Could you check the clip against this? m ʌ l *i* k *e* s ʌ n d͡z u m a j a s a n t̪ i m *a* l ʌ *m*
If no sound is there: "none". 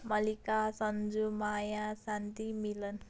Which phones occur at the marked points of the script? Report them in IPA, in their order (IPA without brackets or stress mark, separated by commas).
i, a, i, n